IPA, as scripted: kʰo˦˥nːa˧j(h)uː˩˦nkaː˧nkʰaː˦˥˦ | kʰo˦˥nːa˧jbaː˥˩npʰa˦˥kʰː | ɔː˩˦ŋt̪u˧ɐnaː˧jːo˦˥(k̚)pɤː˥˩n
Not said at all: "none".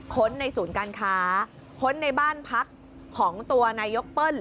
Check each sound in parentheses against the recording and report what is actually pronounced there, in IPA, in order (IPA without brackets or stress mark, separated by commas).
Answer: s, k̚